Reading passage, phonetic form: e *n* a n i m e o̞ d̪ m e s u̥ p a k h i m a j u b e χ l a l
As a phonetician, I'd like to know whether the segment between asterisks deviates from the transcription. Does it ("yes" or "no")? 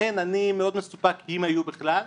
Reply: no